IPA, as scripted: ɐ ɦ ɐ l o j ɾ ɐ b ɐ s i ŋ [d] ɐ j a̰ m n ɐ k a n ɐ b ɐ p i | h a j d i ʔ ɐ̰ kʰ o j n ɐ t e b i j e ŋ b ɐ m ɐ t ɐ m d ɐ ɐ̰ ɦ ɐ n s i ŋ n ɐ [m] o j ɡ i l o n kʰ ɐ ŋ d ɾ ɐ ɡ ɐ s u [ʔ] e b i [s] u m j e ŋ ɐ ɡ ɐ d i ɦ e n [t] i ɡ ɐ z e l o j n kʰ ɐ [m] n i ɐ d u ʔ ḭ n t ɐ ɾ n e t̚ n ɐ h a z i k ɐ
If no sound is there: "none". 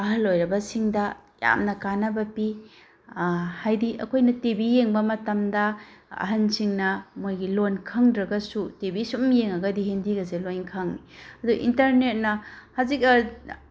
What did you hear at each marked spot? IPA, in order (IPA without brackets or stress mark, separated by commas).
d, m, t, s, d, ŋ